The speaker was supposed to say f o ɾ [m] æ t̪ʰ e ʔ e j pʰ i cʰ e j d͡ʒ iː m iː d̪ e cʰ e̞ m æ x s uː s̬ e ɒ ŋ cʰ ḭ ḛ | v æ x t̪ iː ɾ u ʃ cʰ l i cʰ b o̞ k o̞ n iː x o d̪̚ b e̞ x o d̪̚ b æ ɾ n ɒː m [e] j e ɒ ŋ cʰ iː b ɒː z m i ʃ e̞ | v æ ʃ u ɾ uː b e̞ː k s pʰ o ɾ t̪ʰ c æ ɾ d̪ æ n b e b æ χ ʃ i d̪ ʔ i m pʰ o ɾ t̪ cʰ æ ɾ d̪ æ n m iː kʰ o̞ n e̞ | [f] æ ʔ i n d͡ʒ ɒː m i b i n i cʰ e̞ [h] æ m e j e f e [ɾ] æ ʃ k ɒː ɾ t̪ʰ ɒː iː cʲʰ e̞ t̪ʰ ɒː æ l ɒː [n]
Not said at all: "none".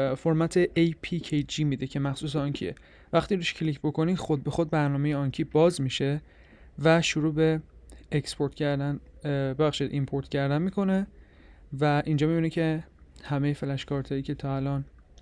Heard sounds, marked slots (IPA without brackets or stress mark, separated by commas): m, e, v, h, l, n